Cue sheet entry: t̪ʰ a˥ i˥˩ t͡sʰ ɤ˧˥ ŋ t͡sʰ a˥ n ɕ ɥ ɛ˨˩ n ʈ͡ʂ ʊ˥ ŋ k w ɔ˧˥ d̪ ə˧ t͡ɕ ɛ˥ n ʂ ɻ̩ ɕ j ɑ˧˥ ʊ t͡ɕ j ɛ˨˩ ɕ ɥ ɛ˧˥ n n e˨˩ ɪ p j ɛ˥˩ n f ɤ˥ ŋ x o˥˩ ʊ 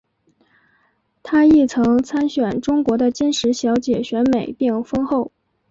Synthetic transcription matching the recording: t̪ʰ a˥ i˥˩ t͡sʰ ɤ˧˥ ŋ t͡sʰ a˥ n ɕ ɥ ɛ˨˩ n ʈ͡ʂ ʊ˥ ŋ k w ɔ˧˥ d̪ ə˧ t͡ɕ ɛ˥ n ʂ ɻ̩ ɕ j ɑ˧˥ ʊ t͡ɕ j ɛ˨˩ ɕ ɥ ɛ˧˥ n m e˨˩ ɪ p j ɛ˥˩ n f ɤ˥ ŋ x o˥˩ ʊ